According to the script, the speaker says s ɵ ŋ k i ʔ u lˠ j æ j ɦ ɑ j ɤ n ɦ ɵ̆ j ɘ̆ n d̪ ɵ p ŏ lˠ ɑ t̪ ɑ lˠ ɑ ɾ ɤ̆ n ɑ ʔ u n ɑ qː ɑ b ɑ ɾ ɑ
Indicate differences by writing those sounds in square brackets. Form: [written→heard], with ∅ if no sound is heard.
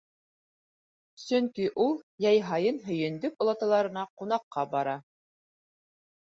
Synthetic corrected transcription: s ɵ ŋ k i ʔ u lˠ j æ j ɦ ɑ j ɤ n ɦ ɵ̆ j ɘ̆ n d̪ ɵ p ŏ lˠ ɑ t̪ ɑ lˠ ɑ ɾ ɤ̆ n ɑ [ʔ→q] u n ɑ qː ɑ b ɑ ɾ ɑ

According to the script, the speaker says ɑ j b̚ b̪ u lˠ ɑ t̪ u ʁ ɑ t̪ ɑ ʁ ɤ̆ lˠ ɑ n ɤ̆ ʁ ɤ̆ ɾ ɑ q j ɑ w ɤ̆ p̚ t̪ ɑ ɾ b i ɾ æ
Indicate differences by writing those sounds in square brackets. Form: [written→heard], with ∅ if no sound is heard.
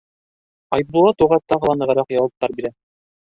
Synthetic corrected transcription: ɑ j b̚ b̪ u lˠ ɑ t̪ u ʁ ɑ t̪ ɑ ʁ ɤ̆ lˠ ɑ n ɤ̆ ʁ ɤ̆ ɾ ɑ q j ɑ w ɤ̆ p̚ t̪ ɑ ɾ b i ɾ æ

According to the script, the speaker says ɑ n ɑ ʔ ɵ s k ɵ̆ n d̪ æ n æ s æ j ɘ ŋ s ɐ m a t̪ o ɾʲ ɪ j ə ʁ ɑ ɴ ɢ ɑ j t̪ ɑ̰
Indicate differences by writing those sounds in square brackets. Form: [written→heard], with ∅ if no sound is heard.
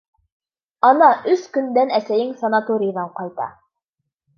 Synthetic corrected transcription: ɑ n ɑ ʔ ɵ s k ɵ̆ n d̪ æ n æ s æ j ɘ ŋ s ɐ [m→n] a t̪ o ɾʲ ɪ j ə [ʁ→ð] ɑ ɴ [ɢ→q] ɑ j t̪ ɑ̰

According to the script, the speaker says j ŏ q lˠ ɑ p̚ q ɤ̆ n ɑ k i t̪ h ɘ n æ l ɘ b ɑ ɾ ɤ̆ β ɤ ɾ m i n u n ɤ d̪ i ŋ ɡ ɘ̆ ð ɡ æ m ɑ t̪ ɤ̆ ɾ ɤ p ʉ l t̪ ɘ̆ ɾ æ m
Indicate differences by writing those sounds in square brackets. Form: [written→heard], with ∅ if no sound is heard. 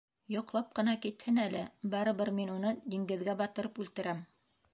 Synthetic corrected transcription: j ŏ q lˠ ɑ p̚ q ɤ̆ n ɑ k i t̪ h ɘ n æ l ɘ b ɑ ɾ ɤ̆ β ɤ ɾ m i n u n ɤ d̪ i ŋ ɡ ɘ̆ ð ɡ æ [m→b] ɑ t̪ ɤ̆ ɾ ɤ p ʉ l t̪ ɘ̆ ɾ æ m

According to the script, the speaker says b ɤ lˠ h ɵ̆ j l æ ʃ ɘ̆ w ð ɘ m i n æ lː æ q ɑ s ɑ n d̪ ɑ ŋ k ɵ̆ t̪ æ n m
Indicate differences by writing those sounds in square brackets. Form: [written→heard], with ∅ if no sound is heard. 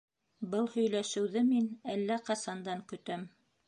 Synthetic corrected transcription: b ɤ lˠ h ɵ̆ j l æ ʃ ɘ̆ w ð ɘ m i n æ lː æ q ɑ s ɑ n d̪ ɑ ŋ k ɵ̆ t̪ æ [n→∅] m

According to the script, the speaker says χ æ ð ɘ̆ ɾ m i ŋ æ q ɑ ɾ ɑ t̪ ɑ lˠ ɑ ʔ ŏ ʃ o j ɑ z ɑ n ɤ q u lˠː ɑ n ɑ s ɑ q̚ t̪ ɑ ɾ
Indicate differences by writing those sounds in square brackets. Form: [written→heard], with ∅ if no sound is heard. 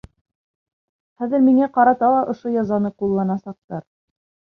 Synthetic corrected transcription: χ æ ð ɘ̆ ɾ m i ŋ æ q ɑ ɾ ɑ t̪ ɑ lˠ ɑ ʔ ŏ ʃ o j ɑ z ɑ n ɤ q u lˠː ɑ n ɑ s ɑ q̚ t̪ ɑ ɾ

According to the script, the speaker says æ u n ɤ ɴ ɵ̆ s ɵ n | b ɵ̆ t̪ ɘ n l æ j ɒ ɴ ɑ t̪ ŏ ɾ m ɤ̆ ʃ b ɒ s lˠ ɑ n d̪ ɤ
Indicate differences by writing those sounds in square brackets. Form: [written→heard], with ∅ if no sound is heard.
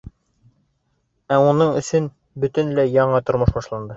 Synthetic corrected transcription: æ u n ɤ ɴ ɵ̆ s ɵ n | b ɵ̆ t̪ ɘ n l æ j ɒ ɴ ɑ t̪ ŏ ɾ m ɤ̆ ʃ b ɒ [s→ʃ] lˠ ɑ n d̪ ɤ

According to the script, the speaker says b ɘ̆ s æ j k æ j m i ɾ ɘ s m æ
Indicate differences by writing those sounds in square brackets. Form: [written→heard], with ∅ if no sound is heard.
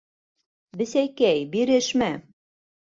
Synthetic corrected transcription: b ɘ̆ s æ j k æ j [m→b] i ɾ ɘ [s→ʃ] m æ

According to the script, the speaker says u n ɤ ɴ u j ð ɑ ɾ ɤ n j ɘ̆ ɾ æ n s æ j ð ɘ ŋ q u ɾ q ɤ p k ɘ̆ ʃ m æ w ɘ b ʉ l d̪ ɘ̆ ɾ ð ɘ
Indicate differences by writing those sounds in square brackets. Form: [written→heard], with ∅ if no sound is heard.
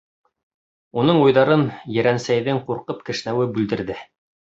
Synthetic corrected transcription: u n ɤ ɴ u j ð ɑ ɾ ɤ n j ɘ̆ ɾ æ n s æ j ð ɘ ŋ q u ɾ q ɤ p k ɘ̆ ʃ [m→n] æ w ɘ b ʉ l d̪ ɘ̆ ɾ ð ɘ

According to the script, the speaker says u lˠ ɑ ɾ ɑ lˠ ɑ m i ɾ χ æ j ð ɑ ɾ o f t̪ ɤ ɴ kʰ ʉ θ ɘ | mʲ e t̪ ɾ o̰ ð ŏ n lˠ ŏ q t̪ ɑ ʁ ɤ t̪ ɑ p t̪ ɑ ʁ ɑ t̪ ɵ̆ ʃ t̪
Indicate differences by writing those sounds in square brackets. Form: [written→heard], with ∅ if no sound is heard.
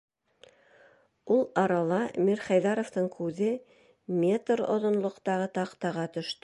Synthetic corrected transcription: u lˠ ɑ ɾ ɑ lˠ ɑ m i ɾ χ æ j ð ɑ ɾ o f t̪ ɤ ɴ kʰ ʉ [θ→ð] ɘ | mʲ e t̪ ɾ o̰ ð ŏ n lˠ ŏ q t̪ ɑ ʁ ɤ t̪ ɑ [p→q] t̪ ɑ ʁ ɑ t̪ ɵ̆ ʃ t̪

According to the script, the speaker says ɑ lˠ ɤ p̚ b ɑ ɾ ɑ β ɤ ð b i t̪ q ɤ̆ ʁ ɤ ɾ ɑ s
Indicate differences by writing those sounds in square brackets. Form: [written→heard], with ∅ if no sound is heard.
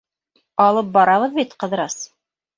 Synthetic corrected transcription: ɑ lˠ ɤ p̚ b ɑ ɾ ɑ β ɤ ð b i t̪ q ɤ̆ [ʁ→ð] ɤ ɾ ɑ s

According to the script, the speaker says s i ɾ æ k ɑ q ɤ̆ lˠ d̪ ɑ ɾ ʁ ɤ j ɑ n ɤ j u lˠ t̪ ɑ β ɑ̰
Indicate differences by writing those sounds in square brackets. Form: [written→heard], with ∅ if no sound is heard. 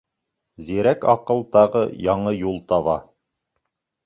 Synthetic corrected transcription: [s→z] i ɾ æ k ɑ q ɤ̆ lˠ [d̪→t̪] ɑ [ɾ→∅] ʁ ɤ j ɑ [n→ɴ] ɤ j u lˠ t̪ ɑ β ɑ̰

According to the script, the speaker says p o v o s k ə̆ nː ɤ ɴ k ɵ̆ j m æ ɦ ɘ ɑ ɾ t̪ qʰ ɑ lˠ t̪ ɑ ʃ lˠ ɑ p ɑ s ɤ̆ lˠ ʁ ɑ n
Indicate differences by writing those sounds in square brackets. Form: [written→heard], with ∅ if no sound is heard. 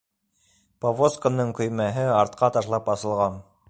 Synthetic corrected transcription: p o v o s k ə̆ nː ɤ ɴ k ɵ̆ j m æ ɦ ɘ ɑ ɾ t̪ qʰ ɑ [lˠ→∅] t̪ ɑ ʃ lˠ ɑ p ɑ s ɤ̆ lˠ ʁ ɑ n

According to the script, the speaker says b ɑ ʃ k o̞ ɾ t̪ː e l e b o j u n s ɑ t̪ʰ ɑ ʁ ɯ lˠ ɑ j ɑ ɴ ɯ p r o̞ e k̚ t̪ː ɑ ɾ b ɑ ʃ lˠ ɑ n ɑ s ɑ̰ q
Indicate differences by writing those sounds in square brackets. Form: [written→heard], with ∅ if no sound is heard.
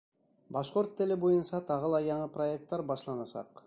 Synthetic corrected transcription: b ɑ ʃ [k→q] o̞ ɾ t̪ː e l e b o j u n s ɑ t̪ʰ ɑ ʁ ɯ lˠ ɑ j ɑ ɴ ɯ p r o̞ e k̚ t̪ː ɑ ɾ b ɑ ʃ lˠ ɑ n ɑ s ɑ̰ q

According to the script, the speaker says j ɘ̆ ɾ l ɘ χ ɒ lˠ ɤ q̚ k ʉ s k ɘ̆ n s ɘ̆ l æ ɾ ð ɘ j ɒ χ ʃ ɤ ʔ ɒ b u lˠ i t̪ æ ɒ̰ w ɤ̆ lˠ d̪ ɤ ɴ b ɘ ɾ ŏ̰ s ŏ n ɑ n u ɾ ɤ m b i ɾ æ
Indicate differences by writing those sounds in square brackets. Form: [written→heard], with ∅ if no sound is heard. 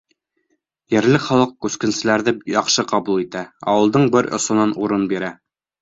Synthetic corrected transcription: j ɘ̆ ɾ l ɘ χ ɒ lˠ ɤ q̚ k ʉ s k ɘ̆ n s ɘ̆ l æ ɾ ð ɘ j ɒ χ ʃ ɤ [ʔ→q] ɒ b u lˠ i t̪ æ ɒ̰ w ɤ̆ lˠ d̪ ɤ ɴ b ɘ ɾ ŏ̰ s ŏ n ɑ n u ɾ ɤ [m→n] b i ɾ æ

